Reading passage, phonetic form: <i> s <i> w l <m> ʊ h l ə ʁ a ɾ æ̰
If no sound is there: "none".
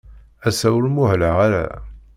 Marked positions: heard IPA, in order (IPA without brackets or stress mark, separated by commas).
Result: æ, æ, m